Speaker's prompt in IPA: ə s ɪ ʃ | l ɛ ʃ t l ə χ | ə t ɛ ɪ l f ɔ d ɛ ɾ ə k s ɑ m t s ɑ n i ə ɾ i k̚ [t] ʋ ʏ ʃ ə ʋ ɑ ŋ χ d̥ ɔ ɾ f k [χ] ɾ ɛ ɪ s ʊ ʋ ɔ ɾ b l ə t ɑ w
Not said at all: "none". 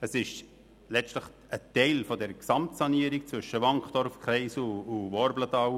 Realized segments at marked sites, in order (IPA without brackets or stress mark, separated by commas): t͡s, χ